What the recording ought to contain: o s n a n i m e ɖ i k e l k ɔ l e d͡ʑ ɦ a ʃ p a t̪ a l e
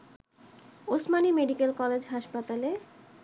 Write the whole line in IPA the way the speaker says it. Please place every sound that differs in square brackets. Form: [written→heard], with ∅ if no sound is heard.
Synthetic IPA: o s [n→m] a n i m e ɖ i k e l k ɔ l e d͡ʑ ɦ a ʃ p a t̪ a l e